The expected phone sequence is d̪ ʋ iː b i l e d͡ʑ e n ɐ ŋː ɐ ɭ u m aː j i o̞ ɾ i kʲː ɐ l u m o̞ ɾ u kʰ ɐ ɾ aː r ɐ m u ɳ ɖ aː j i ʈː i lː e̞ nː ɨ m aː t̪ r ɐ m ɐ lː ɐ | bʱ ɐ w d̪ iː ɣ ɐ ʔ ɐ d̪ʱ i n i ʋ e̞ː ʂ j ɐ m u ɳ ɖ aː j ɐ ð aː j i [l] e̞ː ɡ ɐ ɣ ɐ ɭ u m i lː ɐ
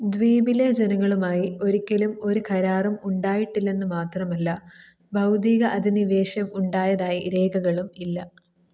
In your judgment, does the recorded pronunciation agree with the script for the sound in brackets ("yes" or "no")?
no